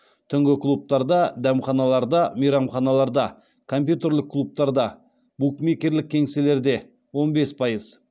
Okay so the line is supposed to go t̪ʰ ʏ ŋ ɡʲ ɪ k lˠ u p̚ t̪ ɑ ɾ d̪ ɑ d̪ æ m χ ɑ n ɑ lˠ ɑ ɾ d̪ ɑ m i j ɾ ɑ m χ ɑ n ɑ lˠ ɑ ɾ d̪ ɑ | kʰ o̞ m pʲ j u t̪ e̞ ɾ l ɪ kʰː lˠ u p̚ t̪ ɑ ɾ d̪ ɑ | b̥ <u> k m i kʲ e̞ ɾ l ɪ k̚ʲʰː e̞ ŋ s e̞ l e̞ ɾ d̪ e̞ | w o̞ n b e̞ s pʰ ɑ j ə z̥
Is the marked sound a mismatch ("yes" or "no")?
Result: no